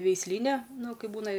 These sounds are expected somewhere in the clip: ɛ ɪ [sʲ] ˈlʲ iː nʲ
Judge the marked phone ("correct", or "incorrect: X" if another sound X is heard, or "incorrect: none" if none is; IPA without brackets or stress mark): correct